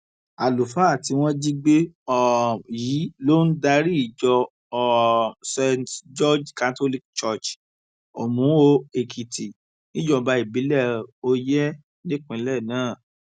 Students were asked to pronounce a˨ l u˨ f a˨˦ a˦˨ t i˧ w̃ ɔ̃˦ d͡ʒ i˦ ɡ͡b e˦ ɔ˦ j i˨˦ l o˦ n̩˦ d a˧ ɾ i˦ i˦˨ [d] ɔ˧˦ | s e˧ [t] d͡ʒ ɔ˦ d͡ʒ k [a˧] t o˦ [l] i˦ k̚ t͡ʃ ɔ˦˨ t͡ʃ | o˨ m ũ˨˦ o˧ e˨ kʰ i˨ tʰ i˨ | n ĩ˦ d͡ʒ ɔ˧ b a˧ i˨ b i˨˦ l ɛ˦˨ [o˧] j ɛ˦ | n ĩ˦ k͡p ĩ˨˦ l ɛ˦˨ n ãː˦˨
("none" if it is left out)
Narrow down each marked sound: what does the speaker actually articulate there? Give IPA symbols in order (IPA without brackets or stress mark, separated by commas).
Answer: d͡ʒ, t, a˧, l, o˧